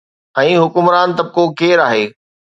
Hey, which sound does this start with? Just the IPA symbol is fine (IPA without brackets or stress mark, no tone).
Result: ɛ̃ː